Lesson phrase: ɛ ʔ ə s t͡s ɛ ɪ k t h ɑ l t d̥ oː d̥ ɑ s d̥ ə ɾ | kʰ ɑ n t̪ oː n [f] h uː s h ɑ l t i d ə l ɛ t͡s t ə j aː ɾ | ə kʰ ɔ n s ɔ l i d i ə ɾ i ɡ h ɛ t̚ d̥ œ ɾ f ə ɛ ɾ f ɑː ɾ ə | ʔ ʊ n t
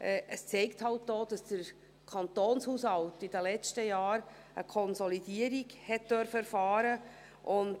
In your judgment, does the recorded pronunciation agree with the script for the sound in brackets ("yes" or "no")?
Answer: no